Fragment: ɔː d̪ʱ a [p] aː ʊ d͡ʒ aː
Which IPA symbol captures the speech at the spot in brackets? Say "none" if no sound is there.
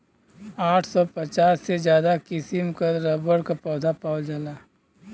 p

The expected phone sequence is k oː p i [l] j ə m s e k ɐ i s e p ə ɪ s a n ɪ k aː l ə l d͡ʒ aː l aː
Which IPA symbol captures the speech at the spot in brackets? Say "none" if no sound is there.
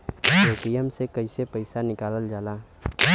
none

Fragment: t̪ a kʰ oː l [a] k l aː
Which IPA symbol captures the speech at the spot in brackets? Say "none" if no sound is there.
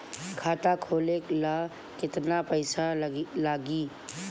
e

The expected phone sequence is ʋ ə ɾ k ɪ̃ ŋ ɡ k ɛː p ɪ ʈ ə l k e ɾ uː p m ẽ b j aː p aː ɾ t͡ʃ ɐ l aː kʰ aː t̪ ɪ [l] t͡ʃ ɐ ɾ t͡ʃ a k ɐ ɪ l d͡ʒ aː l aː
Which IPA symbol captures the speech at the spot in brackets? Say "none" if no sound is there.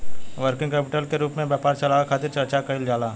ɾ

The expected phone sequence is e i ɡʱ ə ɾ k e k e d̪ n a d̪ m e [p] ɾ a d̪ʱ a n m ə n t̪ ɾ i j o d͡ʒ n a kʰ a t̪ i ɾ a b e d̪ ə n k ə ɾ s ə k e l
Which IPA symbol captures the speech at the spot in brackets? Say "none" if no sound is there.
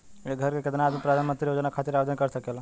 p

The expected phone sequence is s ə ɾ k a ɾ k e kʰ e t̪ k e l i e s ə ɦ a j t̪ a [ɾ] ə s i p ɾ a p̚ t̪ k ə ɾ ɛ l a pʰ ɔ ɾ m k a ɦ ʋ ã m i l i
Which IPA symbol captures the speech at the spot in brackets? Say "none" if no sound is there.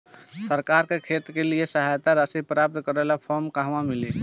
ɾ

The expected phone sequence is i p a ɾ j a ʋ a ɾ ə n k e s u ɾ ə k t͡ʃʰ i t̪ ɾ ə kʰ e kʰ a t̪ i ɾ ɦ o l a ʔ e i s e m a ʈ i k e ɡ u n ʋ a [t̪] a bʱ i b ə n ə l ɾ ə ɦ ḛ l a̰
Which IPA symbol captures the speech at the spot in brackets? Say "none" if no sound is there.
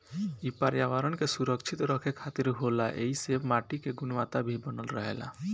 t̪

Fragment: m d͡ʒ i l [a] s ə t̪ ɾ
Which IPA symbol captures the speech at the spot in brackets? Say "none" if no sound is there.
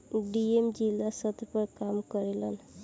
a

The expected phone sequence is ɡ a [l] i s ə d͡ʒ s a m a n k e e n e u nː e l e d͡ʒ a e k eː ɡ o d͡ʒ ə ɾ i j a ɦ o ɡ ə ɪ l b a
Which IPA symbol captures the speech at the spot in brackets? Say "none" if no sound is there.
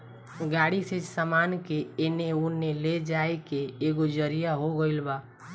ɽ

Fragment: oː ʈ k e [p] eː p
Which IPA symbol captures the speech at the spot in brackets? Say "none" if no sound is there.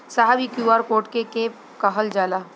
k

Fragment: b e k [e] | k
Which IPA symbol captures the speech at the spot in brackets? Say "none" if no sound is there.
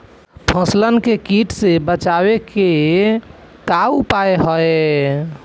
e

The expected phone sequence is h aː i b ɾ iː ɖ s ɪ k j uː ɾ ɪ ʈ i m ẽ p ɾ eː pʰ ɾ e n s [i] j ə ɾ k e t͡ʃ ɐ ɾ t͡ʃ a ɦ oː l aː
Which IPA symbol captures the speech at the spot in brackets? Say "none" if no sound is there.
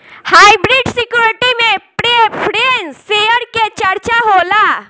e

